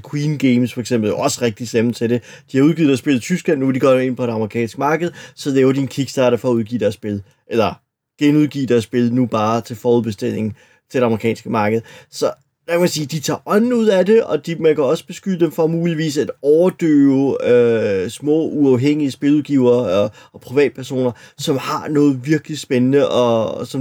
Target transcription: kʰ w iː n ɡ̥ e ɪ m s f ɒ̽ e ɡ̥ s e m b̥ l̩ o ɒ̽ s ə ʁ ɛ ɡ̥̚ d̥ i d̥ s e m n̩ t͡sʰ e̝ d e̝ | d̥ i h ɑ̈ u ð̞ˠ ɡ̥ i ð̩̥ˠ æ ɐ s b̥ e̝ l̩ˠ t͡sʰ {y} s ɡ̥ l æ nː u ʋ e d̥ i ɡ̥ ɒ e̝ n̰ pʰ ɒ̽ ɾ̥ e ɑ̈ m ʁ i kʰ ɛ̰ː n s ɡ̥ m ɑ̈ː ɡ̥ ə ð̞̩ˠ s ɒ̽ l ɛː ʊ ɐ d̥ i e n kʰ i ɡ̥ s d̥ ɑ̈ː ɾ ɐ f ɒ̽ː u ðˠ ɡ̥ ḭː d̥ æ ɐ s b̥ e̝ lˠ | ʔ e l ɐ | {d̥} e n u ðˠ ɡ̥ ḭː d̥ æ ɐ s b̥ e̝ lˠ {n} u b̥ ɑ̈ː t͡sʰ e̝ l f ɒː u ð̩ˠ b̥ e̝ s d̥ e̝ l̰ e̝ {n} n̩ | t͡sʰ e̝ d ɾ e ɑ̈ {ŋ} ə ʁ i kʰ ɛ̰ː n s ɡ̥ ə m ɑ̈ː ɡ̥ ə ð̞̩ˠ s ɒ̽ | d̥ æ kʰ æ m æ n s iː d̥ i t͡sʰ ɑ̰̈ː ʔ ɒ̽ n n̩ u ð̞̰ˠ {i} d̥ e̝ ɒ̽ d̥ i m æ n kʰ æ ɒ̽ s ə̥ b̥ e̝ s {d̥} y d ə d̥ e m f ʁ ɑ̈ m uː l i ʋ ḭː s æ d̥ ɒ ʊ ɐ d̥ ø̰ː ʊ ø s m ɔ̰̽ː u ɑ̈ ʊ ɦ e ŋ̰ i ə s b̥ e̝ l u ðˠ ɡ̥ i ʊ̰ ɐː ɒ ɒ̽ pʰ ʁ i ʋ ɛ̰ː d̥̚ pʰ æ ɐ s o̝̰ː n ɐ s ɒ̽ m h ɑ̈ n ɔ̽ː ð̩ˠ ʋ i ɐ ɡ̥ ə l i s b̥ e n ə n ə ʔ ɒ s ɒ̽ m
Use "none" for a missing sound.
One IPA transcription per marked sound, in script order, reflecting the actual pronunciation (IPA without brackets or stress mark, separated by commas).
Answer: y, ɡ̥, n, ŋ, m, æ, ɡ̥